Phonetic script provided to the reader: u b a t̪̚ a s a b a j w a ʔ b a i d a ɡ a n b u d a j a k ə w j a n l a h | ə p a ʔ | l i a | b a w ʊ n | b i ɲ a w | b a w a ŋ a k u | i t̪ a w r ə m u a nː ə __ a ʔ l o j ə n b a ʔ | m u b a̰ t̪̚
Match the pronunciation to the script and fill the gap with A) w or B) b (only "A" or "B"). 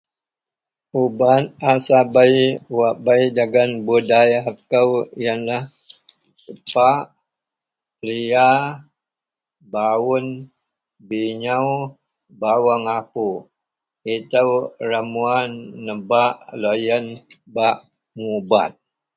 B